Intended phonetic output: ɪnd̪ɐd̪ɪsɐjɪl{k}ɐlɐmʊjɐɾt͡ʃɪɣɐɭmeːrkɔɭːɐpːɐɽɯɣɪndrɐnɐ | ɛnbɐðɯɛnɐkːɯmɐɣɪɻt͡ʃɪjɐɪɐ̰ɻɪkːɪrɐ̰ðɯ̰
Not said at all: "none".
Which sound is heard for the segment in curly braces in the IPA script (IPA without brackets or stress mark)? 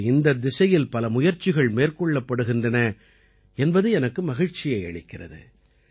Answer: p